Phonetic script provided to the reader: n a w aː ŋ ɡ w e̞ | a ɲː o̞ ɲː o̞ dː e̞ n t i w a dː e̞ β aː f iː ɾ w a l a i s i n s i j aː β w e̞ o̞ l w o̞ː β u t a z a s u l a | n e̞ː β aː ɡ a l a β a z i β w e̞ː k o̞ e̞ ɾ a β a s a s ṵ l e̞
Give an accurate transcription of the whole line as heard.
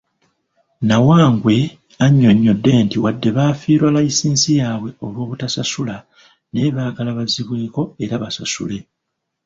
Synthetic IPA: n a w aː ŋ ɡ w e̞ | a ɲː o̞ ɲː o̞ dː e̞ n t i w a dː e̞ β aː f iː ɾ w a l a i s iː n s i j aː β w e̞ o̞ l w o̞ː β u t a s a s u l a | n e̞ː β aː ɡ a l a β a z i β w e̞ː k o̞ e̞ ɾ a β a s a s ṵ l e̞